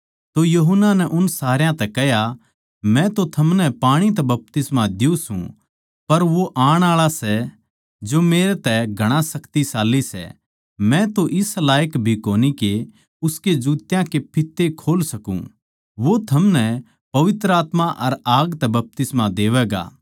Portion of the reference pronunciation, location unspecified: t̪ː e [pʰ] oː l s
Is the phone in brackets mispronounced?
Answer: yes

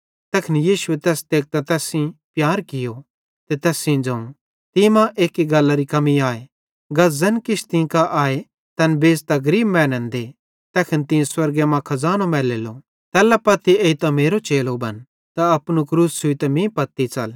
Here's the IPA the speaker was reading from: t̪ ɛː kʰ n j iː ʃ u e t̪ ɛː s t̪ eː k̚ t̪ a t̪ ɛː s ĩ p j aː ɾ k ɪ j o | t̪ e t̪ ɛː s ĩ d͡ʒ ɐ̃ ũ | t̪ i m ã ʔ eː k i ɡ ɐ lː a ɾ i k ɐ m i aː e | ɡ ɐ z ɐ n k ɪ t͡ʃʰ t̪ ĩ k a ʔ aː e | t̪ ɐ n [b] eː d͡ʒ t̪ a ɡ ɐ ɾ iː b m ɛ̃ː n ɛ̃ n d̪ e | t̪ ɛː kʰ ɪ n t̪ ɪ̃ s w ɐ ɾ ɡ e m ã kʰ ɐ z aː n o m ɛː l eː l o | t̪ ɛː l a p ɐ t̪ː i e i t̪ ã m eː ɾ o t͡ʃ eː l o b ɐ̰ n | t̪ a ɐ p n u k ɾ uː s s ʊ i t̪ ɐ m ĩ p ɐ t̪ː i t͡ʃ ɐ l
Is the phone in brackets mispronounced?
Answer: no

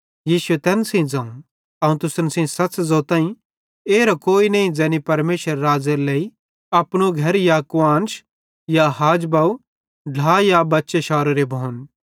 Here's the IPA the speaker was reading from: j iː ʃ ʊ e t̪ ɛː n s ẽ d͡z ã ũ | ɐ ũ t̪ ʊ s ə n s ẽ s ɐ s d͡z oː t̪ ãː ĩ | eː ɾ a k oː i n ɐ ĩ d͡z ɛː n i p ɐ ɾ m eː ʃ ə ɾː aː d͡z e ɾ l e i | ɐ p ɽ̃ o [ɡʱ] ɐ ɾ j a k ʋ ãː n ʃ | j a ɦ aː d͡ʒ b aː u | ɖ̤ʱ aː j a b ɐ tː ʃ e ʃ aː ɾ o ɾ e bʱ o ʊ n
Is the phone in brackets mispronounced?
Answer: no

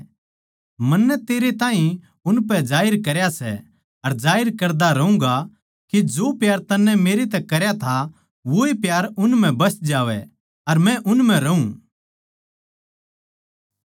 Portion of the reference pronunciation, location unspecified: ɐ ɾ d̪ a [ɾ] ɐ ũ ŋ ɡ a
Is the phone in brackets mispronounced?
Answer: no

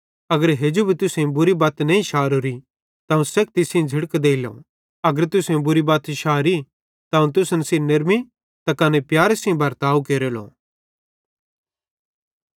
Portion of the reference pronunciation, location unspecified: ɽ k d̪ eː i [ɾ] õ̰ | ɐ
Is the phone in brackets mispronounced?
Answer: yes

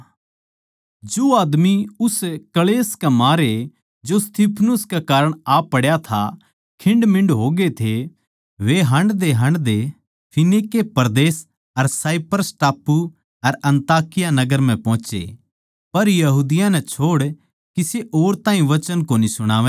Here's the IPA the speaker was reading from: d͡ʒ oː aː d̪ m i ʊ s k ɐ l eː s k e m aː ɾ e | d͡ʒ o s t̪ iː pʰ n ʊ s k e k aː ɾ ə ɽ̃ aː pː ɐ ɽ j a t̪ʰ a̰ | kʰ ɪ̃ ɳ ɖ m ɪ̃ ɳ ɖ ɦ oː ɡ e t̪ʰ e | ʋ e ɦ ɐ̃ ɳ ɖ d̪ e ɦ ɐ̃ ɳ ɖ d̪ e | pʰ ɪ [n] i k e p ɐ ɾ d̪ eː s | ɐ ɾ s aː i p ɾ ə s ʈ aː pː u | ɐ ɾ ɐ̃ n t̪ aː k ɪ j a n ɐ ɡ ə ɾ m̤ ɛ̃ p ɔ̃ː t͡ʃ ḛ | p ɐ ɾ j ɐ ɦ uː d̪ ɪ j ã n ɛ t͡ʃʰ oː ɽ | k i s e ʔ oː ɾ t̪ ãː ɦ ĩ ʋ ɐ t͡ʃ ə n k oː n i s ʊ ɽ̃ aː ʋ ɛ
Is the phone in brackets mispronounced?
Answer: no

